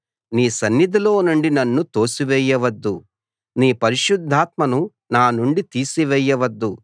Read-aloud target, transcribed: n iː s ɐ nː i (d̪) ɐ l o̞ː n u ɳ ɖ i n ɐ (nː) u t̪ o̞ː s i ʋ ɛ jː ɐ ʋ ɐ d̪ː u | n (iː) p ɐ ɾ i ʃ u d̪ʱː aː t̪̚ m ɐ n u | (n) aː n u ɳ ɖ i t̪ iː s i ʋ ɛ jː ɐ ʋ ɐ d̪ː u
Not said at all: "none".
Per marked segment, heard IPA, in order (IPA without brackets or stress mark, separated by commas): d̪, nː, iː, n